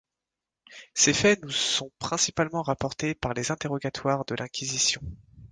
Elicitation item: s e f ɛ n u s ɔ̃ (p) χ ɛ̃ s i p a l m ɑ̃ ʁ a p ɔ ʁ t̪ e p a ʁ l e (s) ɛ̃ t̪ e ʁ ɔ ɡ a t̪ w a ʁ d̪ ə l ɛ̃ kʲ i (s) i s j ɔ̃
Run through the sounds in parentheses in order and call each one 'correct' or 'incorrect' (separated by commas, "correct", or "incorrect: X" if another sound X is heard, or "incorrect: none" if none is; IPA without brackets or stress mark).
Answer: correct, incorrect: z, incorrect: z